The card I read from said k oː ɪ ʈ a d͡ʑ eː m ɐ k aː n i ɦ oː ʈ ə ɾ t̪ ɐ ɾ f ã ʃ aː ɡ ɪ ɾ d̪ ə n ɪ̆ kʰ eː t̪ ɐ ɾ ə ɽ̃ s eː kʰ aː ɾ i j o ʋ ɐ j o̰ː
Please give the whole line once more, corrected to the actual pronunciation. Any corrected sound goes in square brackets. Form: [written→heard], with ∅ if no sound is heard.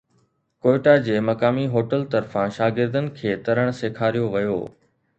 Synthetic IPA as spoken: k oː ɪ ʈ a d͡ʑ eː m ɐ k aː [n→m] i ɦ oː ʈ ə [ɾ→l] t̪ ɐ ɾ f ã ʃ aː ɡ ɪ ɾ d̪ ə n ɪ̆ kʰ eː t̪ ɐ ɾ ə ɽ̃ s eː kʰ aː ɾ i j o ʋ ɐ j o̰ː